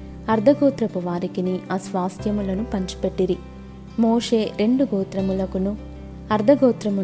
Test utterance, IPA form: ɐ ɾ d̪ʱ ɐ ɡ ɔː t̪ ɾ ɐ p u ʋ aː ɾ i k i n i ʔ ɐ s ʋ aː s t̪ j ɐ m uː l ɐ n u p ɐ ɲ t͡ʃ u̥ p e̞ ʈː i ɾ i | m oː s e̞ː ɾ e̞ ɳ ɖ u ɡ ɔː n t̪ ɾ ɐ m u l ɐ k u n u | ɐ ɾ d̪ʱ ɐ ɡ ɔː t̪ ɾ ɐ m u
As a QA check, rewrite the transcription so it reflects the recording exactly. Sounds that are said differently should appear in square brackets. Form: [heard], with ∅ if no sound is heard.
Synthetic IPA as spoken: ɐ ɾ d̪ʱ ɐ ɡ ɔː t̪ ɾ ɐ p u ʋ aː ɾ i k i n i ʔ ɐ s ʋ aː s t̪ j ɐ m [u] l ɐ n u p ɐ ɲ t͡ʃ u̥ p e̞ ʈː i ɾ i | m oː [ʂ] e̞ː ɾ e̞ ɳ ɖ u ɡ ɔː [∅] t̪ ɾ ɐ m u l ɐ k u n u | ɐ ɾ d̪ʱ ɐ ɡ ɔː t̪ ɾ ɐ m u